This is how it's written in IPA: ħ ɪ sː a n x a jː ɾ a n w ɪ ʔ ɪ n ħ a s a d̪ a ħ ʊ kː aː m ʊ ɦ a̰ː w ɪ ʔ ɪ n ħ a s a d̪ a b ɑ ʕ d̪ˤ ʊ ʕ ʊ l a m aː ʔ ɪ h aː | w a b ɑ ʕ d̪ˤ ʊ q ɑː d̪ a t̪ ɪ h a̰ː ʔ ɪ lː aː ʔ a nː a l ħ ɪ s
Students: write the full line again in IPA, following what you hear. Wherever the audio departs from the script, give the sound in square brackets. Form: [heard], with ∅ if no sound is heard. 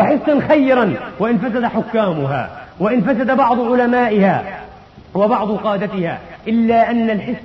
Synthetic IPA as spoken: ħ ɪ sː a n x a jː ɾ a n w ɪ ʔ ɪ n [f] a s a d̪ a ħ ʊ kː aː m ʊ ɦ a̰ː w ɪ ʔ ɪ n [f] a s a d̪ a b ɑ ʕ d̪ˤ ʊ ʕ ʊ l a m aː ʔ ɪ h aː | w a b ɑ ʕ d̪ˤ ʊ q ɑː d̪ a t̪ ɪ h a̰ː ʔ ɪ lː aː ʔ a nː a l ħ ɪ s